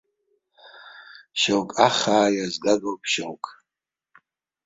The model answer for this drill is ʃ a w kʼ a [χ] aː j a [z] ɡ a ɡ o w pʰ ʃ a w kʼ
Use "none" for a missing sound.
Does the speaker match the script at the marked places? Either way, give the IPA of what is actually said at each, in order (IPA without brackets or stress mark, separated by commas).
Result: χ, z